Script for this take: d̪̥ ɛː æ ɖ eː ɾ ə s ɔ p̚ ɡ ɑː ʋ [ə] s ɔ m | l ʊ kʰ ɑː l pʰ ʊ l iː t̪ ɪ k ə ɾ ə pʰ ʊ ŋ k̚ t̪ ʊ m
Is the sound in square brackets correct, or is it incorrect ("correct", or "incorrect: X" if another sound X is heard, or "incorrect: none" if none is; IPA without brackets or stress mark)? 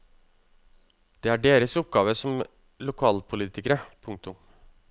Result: correct